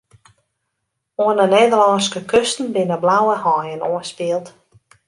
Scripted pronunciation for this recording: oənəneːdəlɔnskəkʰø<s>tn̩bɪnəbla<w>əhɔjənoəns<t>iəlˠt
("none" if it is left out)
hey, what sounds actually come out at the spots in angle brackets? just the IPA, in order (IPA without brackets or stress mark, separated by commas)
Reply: s, w, p